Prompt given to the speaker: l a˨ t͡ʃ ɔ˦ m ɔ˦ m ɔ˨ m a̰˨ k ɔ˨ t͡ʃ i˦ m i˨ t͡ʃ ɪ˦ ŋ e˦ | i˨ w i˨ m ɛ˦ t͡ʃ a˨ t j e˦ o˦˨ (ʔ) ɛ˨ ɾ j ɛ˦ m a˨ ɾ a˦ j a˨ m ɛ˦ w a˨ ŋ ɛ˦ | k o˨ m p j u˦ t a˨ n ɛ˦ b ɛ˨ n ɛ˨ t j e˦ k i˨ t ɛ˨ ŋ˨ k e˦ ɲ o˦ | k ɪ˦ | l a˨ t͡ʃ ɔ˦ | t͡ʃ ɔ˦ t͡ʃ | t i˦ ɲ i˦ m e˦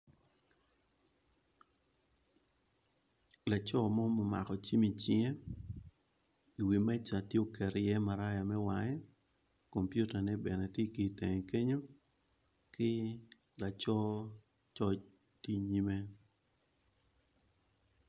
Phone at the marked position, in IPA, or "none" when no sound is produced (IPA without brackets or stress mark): k